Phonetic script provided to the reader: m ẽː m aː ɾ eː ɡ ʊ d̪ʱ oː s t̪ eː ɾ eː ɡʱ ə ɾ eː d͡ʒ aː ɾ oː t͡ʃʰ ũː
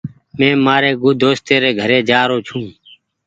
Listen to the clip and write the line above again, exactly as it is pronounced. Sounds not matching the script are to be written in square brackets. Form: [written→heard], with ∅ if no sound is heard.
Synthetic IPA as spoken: m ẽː m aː ɾ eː ɡ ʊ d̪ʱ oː s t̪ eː ɾ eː ɡʱ ə ɾ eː d͡ʒ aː ɾ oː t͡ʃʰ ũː

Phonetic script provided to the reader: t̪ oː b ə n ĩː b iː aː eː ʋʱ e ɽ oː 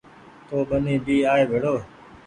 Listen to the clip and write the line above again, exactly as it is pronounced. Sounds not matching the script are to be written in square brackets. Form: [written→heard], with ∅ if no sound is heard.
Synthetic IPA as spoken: t̪ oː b ə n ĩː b iː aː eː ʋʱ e ɽ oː

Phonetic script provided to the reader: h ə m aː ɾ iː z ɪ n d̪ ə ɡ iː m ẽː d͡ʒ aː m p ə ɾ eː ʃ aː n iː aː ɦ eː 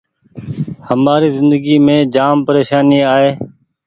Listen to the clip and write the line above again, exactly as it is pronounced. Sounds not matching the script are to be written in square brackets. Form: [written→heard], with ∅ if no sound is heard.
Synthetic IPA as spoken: h ə m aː ɾ iː z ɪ n d̪ ə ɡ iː m ẽː d͡ʒ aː m p ə ɾ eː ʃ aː n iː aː ɦ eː

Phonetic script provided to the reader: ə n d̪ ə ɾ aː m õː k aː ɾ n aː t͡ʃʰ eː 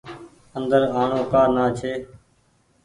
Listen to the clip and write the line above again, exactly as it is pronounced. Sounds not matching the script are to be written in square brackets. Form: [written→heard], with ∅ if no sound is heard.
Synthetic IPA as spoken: ə n d̪ ə ɾ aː [m→ɳ] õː k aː ɾ n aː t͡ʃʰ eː

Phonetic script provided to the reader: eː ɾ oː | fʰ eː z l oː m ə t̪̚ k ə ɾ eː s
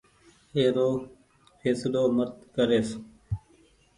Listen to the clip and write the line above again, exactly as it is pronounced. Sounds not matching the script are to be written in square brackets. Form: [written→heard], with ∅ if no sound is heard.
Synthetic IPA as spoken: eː ɾ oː | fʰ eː [z→s] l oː m ə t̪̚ k ə ɾ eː s

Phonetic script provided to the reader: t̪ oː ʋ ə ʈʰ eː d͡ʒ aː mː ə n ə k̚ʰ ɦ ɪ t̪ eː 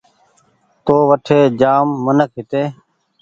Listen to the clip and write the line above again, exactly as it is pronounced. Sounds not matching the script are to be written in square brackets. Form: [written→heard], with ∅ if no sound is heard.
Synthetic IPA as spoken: t̪ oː ʋ ə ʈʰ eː d͡ʒ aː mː ə n ə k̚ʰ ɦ ɪ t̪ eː

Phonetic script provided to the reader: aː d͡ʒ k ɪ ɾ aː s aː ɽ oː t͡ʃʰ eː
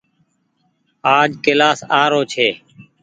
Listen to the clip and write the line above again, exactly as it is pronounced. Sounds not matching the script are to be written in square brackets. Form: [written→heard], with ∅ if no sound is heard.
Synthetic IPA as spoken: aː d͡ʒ k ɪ [ɾ→l] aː s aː [ɽ→ɾ] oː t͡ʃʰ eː

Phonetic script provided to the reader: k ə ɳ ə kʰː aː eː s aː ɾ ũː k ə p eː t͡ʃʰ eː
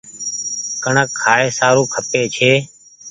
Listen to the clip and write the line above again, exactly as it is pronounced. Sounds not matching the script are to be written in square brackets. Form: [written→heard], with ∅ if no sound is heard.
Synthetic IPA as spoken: k ə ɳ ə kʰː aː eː s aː ɾ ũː [k→kʰ] ə p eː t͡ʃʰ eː

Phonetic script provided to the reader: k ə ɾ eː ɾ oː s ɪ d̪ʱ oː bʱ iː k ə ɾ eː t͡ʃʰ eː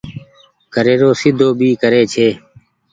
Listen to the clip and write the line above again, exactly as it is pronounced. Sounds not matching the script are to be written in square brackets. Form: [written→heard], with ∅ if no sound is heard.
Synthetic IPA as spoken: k ə ɾ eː ɾ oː s ɪ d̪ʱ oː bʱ iː k ə ɾ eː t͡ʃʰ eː

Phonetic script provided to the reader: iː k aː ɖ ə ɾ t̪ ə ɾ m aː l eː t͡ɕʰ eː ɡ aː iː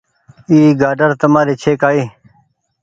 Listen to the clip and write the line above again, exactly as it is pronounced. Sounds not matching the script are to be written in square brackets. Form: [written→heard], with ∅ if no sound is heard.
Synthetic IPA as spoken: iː [k→ɡ] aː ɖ ə ɾ t̪ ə [ɾ→∅] m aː [l→ɾ] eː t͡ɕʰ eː [ɡ→k] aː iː

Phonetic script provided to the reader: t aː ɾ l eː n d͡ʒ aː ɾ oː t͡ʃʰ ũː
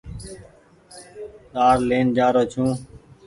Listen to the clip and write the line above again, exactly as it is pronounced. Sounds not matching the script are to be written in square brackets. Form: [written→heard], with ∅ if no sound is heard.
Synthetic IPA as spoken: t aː ɾ l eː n d͡ʒ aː ɾ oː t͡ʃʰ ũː

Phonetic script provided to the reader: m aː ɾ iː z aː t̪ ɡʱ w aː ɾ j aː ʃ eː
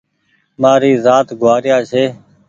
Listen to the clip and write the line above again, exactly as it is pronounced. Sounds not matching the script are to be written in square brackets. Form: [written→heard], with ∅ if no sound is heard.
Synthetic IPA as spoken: m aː ɾ iː z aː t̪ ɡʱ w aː ɾ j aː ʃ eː

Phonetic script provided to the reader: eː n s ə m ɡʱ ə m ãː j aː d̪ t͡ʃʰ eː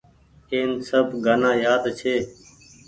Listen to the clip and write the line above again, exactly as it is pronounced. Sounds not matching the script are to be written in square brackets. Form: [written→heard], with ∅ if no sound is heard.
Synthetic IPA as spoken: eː n s ə [m→b] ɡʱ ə [m→n] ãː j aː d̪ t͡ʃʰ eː

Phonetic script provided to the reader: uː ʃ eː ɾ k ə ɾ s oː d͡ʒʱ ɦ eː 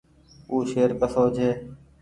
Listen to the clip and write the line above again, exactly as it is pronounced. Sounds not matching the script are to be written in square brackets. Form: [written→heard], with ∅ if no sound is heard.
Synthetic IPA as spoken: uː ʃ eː ɾ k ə [ɾ→∅] s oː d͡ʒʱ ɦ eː

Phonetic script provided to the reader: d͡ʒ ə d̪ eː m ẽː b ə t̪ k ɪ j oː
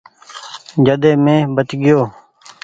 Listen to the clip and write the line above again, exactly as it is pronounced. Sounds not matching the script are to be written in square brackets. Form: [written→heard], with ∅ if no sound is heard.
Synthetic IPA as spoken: d͡ʒ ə d̪ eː m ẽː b ə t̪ [k→ɡ] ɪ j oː

